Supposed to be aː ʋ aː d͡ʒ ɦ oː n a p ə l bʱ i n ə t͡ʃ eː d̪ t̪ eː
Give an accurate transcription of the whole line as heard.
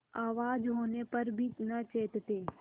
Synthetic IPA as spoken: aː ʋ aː d͡ʒ ɦ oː n e p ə ɾ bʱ i n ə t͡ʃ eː t̪ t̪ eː